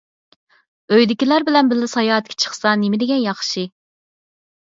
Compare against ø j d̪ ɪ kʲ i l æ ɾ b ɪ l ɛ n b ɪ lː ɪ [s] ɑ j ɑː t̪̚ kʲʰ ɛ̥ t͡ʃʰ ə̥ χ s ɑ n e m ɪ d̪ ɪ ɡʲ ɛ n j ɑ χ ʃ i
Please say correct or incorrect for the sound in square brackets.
correct